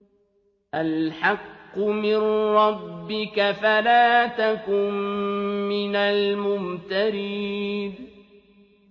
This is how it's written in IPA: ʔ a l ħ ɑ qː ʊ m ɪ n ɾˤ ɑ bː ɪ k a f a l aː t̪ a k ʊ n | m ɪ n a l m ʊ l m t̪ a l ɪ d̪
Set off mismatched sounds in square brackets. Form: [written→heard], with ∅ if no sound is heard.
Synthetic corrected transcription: ʔ a l ħ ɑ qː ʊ m ɪ n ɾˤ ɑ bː ɪ k a f a l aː t̪ a k ʊ n | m ɪ n a l m ʊ [l→∅] m t̪ a [l→ɾ] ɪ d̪